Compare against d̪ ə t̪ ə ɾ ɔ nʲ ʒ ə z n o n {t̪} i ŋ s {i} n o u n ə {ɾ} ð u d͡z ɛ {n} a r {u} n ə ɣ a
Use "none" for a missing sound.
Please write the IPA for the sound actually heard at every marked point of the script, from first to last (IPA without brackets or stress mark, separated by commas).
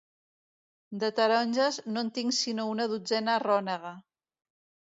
t̪, i, none, n, ɔ